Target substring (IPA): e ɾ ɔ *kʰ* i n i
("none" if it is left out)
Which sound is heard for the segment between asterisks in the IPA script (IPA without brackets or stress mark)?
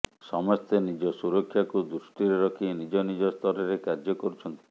kʰ